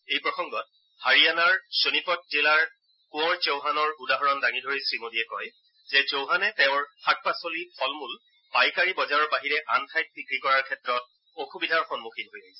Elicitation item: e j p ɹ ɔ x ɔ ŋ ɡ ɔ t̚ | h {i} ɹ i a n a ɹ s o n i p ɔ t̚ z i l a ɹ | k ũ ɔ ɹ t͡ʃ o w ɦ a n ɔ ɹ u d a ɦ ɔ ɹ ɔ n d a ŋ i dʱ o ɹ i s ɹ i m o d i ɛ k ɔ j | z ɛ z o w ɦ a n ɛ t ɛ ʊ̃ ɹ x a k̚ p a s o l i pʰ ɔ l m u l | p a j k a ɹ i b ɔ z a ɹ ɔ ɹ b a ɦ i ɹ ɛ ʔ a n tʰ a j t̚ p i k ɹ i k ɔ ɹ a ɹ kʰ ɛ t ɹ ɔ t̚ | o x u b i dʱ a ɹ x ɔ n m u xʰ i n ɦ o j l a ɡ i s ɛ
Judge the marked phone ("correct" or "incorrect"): incorrect